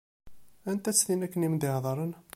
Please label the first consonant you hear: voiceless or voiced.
voiced